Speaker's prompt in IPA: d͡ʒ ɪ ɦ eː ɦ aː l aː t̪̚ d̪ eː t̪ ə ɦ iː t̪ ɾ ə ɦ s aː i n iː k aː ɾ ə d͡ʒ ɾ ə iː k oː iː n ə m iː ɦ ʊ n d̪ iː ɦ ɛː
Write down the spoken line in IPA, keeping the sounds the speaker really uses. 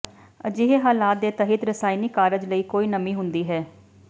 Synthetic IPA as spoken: d͡ʒ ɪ ɦ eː ɦ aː l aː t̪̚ d̪ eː t̪ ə ɦ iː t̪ ɾ ə s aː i n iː k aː ɾ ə d͡ʒ l ə iː k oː iː n ə m iː ɦ ʊ n d̪ iː ɦ ɛː